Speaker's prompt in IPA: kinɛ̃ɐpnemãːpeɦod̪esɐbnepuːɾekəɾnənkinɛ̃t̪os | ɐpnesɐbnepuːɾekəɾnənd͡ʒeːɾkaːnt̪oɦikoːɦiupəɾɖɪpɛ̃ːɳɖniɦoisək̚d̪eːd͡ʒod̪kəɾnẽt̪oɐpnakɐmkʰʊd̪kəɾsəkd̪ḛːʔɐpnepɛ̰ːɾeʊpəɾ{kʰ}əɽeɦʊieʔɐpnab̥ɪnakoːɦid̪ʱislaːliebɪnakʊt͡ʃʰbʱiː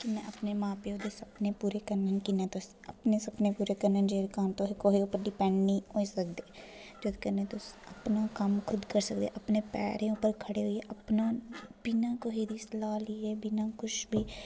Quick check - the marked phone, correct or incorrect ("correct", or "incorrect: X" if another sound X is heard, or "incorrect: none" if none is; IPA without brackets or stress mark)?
correct